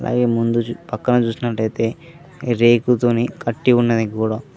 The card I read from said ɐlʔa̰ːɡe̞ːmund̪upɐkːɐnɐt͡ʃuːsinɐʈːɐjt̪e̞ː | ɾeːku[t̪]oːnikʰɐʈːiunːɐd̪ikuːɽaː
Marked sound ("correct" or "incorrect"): correct